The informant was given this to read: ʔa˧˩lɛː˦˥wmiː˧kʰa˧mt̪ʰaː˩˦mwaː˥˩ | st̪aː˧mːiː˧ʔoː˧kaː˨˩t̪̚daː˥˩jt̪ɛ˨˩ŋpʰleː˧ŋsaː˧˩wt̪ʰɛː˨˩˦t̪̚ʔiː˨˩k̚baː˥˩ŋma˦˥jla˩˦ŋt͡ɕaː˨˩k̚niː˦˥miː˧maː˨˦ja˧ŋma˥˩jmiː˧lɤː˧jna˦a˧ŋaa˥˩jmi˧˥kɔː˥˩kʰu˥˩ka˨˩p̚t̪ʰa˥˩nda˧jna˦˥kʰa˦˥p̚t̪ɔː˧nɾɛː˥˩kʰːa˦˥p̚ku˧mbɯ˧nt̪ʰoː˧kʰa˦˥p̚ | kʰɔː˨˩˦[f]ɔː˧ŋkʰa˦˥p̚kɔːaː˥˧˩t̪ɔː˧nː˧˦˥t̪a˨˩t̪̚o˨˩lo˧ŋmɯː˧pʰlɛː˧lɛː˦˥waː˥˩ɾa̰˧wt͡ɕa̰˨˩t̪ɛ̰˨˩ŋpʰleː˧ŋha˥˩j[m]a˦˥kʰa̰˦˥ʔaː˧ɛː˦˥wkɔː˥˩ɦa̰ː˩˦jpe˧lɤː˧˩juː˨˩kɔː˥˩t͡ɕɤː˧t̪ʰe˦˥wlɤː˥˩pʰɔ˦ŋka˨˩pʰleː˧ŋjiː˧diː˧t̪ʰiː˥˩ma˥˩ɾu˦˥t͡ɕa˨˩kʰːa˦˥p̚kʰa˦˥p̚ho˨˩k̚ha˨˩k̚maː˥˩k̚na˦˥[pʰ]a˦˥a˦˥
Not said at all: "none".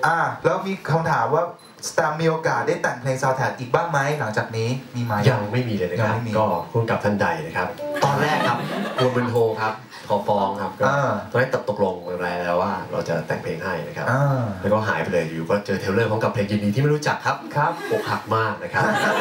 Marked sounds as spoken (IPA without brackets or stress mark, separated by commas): f, n, kʰ